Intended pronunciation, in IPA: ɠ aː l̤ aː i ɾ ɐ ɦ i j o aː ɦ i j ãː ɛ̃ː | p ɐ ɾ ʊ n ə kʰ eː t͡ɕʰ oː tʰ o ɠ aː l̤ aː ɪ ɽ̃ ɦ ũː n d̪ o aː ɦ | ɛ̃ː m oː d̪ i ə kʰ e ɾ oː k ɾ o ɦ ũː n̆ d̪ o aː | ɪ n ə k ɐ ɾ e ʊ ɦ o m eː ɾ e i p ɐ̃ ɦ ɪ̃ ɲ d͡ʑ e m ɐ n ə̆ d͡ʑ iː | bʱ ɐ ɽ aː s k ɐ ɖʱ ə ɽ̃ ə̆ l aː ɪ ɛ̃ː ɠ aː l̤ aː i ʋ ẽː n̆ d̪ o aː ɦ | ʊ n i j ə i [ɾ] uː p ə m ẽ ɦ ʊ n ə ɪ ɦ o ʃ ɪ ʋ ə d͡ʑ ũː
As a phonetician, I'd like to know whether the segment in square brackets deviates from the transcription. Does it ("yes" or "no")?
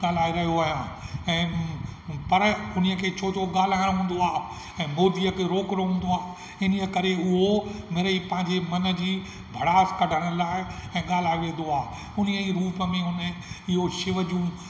no